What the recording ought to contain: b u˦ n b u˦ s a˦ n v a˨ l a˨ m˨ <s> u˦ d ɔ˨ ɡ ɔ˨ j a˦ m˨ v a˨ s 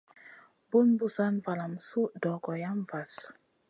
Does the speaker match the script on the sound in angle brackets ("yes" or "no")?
yes